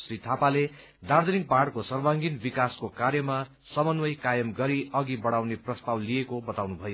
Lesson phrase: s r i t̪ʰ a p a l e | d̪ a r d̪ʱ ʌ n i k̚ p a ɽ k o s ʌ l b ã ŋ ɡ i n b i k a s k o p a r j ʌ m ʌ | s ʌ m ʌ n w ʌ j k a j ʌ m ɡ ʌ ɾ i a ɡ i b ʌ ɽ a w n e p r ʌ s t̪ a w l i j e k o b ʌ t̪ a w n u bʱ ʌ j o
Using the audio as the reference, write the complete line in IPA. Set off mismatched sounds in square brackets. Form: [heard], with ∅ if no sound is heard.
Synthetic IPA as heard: s r i t̪ʰ a p a l e | d̪ a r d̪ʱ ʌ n i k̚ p a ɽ k o s ʌ [r] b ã ŋ ɡ i n b i k a s k o [k] a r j ʌ m [a] | s ʌ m ʌ n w ʌ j k a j ʌ m ɡ ʌ ɾ i [ʌ] ɡ i b ʌ ɽ a w n e p r ʌ s t̪ a w l i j e k o b ʌ t̪ a w n u bʱ ʌ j o